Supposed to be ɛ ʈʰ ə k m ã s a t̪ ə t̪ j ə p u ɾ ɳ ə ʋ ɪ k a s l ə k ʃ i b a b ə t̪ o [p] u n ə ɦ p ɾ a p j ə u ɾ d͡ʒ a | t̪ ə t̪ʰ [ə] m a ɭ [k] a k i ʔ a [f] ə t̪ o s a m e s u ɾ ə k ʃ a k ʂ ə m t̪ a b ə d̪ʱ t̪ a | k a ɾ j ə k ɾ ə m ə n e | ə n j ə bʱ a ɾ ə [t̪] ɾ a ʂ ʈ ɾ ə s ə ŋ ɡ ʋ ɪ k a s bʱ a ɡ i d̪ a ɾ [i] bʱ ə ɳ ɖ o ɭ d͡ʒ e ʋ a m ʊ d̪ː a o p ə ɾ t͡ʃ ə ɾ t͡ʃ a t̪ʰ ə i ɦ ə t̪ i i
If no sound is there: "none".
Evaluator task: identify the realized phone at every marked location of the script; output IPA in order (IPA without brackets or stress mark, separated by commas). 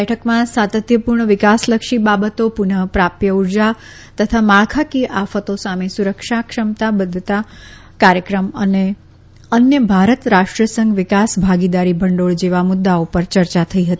p, a, kʰ, f, t̪, i